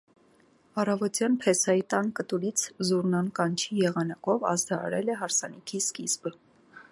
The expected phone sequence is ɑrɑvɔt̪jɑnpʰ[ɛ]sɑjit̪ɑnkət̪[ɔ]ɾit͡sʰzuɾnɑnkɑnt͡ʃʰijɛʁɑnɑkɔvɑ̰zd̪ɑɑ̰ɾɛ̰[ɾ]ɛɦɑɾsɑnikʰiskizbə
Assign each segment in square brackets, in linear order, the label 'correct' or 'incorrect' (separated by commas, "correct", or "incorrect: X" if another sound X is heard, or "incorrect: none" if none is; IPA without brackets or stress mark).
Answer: correct, incorrect: u, incorrect: l